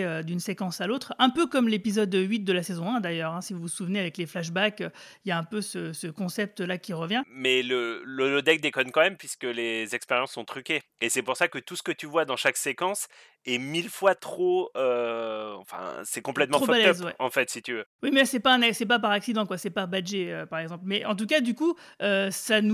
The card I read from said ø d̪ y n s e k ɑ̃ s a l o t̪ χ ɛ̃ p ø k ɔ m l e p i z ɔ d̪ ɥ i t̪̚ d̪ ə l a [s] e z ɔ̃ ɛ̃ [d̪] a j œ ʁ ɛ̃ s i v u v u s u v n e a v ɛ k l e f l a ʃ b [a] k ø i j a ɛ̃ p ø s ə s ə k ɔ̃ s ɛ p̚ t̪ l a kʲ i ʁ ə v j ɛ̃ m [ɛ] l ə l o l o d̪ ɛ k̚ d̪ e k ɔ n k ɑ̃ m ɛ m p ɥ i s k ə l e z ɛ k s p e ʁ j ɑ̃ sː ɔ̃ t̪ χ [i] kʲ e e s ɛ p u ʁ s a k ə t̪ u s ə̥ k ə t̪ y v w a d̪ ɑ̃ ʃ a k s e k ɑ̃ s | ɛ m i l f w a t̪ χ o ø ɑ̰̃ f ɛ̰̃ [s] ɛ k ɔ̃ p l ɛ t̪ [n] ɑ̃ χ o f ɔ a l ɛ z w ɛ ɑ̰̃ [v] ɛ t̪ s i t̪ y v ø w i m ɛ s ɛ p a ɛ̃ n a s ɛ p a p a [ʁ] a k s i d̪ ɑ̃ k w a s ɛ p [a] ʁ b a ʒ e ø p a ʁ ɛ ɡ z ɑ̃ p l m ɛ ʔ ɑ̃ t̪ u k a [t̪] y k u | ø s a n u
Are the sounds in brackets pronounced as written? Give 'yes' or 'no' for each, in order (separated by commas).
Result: yes, yes, yes, yes, no, yes, no, no, yes, yes, no